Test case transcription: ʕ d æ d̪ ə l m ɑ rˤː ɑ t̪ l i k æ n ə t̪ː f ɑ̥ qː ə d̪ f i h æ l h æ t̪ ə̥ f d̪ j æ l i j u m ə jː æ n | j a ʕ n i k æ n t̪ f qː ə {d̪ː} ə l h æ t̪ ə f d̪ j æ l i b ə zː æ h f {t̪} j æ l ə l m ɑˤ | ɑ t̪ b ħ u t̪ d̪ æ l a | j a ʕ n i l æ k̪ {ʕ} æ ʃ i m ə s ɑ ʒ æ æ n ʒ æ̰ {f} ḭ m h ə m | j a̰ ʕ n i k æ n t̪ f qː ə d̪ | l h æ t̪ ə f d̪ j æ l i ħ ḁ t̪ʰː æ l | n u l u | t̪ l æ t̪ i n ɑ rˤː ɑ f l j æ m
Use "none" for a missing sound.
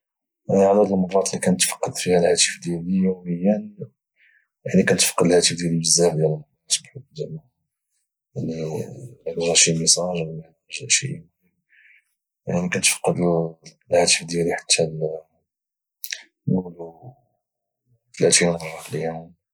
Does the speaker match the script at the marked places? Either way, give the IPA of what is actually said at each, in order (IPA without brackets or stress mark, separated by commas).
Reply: d̪, d̪, ʒ, ʃ